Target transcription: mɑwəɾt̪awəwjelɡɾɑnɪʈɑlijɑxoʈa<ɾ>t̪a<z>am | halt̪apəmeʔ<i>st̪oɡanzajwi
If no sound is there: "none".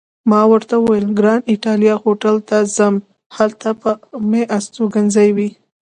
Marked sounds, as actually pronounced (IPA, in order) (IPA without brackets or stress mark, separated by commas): l, z, a